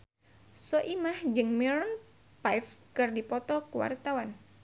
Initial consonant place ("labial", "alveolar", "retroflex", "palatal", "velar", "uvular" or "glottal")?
alveolar